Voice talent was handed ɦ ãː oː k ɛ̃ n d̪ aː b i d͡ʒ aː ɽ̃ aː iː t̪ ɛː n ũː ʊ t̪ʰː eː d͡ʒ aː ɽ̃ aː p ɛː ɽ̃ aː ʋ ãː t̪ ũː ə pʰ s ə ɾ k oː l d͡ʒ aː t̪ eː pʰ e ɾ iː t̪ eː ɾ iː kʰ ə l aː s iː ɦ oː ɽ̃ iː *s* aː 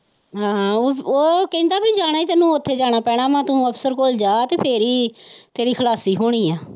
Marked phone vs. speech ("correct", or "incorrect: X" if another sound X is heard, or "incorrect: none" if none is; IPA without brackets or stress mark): incorrect: none